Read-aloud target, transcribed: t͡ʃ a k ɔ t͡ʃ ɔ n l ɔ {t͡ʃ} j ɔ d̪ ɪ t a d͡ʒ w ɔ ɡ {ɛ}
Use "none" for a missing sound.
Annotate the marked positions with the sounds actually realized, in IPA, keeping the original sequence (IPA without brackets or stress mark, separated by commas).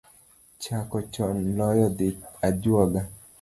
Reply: none, a